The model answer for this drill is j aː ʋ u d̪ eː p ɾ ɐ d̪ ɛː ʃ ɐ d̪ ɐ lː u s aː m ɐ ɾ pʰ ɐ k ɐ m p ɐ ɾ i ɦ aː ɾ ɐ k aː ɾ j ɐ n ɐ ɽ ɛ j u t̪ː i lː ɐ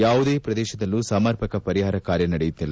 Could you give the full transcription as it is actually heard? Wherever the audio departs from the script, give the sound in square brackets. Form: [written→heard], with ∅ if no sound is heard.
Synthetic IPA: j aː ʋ u d̪ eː p ɾ ɐ d̪ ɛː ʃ ɐ d̪ ɐ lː u s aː m ɐ ɾ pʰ ɐ k ɐ [m→∅] p ɐ ɾ i ɦ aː ɾ ɐ k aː ɾ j ɐ n ɐ ɽ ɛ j u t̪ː i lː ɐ